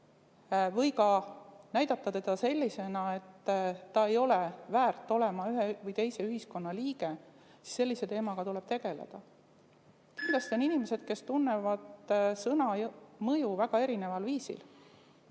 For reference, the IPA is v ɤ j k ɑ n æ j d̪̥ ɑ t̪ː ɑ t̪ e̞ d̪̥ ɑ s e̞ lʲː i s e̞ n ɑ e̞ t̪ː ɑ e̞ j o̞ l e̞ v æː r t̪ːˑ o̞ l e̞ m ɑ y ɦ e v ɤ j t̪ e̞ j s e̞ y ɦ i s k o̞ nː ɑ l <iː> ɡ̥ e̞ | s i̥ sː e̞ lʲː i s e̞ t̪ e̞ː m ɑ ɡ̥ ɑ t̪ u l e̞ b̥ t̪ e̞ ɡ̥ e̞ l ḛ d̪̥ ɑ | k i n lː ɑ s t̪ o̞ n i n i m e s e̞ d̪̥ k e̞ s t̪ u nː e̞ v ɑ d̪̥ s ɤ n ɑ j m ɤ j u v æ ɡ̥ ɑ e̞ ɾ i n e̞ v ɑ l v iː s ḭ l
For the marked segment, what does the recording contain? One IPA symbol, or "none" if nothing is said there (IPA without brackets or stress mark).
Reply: iː